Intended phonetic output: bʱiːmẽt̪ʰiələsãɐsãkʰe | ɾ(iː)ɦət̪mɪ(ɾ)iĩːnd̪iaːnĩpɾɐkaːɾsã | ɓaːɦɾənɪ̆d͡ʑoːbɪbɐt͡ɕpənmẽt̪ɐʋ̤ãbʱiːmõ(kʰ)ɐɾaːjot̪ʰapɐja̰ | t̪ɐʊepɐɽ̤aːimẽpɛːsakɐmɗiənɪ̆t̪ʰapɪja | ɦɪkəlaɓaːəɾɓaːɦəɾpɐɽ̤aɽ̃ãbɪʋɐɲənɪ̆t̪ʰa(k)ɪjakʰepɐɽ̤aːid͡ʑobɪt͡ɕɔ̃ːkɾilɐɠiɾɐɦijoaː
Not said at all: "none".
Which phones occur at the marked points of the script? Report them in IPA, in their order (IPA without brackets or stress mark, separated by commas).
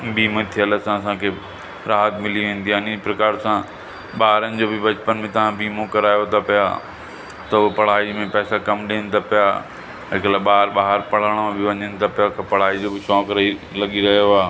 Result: aː, l, k, p